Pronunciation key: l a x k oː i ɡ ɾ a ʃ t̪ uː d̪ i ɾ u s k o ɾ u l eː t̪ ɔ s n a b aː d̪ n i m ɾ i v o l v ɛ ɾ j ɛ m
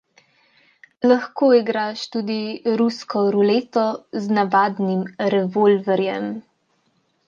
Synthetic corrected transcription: l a x k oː i ɡ ɾ a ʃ t̪ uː d̪ i ɾ u s k ɔ ɾ u l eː t̪ ɔ z n a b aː d̪ n i m ɾ ɛ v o l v ɛ ɾ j ɛ m

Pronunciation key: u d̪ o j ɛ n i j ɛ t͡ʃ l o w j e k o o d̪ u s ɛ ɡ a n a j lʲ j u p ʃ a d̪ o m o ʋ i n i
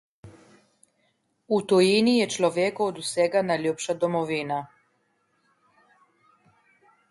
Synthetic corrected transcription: u t̪ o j i n i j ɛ t͡ʃ l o ʋ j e k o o d̪ u s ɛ ɡ a n a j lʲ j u p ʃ a d̪ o m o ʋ i n a

